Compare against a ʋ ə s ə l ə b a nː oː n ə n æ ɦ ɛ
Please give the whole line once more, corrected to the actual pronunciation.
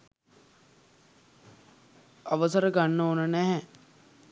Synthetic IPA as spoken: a ʋ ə s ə ɾ ə ɡ a nː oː n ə n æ ɦ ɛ